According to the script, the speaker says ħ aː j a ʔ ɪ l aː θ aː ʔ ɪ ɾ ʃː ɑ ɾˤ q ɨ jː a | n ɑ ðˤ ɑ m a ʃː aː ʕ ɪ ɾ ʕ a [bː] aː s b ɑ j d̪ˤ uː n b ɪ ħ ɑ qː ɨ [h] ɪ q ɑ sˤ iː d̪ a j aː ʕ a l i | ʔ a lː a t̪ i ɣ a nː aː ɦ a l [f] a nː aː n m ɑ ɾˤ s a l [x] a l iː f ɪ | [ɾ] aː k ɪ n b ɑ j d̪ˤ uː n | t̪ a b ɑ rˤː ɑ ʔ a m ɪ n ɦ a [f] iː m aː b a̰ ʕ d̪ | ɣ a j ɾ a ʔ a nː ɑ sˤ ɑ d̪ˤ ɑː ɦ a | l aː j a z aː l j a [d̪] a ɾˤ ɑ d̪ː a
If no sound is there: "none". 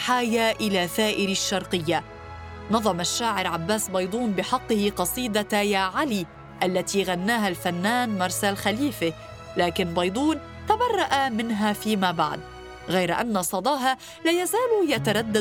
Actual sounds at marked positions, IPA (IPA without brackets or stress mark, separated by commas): bː, h, f, x, l, f, t̪